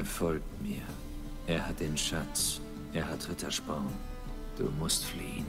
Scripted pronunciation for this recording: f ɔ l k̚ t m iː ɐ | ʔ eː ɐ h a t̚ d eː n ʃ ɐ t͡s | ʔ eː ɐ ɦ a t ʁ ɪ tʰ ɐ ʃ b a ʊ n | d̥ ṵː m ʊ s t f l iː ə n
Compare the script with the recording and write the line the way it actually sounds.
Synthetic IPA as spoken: f ɔ l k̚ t m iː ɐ | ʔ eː ɐ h a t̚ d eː n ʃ a t͡s | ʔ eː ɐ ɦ a t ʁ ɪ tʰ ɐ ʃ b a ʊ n | d̥ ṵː m ʊ s t f l iː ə n